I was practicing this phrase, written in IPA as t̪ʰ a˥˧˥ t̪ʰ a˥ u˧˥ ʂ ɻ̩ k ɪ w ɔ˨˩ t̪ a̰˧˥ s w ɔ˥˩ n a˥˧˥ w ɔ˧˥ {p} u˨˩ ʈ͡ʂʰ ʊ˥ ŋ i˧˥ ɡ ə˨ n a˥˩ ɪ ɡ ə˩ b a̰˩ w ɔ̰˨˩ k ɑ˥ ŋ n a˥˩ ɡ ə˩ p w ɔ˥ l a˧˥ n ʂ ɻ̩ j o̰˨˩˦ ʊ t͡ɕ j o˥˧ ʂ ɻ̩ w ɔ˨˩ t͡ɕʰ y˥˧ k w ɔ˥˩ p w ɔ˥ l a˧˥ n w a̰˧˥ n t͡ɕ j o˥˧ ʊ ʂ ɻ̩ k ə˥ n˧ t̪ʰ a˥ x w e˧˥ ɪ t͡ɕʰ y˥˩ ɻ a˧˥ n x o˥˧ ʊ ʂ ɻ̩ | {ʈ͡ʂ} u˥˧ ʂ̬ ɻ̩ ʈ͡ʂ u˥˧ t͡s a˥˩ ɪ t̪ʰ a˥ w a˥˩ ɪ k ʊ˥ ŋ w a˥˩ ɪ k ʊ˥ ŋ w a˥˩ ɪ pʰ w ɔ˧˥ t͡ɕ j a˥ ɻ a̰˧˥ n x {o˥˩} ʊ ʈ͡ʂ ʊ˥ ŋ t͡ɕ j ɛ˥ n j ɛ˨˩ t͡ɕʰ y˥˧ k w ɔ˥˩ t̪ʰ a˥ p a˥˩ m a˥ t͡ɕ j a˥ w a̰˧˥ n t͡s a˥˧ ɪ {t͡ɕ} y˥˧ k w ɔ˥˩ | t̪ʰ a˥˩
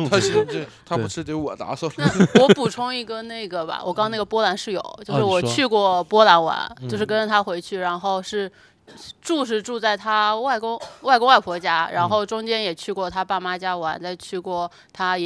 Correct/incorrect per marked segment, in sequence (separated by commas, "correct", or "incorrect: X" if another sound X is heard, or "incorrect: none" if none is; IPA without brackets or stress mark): correct, correct, correct, incorrect: t͡ɕʰ